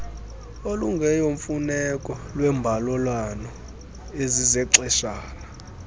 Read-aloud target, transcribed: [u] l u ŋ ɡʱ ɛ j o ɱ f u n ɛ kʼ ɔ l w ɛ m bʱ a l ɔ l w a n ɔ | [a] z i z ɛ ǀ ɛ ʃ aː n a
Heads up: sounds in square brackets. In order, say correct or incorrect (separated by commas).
incorrect, incorrect